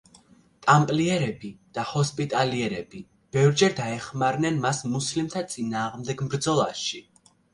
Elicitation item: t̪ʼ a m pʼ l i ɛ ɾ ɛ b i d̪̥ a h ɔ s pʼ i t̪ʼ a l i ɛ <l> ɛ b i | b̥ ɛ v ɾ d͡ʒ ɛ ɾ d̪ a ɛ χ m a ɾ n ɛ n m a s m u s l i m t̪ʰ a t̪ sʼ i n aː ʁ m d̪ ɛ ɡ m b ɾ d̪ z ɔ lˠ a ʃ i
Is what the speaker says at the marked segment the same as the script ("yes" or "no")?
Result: no